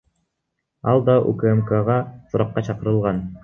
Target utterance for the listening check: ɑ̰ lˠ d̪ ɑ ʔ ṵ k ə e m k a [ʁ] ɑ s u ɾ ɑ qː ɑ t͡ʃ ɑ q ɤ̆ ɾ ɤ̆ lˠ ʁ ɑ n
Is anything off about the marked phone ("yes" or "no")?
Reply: no